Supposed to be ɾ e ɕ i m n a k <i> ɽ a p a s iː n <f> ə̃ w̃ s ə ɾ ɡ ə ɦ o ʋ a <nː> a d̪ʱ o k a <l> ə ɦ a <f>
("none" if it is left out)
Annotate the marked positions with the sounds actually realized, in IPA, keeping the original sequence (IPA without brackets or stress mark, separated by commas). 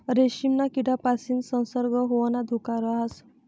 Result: i, s, n, ɾ, s